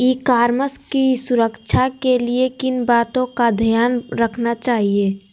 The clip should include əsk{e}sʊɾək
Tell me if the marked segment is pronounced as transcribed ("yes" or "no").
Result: no